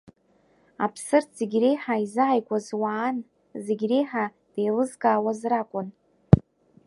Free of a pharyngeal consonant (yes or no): no